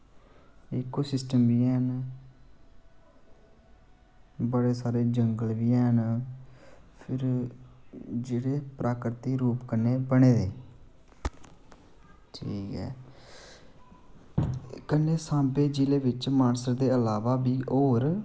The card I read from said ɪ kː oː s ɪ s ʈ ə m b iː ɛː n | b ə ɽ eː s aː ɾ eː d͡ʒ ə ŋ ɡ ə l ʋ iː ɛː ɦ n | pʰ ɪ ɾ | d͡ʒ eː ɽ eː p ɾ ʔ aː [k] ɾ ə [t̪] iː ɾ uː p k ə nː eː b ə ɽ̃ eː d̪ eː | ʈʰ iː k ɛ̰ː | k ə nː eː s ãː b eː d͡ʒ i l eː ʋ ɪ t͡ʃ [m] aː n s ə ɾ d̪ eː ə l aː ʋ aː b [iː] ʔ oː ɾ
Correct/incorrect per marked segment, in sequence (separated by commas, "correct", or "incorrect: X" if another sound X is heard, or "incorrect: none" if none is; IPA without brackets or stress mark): correct, correct, correct, correct